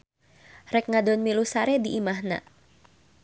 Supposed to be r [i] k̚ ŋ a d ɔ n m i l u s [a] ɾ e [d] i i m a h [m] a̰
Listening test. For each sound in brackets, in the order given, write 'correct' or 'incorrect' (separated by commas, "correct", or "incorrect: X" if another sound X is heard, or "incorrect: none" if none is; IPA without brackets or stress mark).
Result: incorrect: ɛ, correct, correct, incorrect: n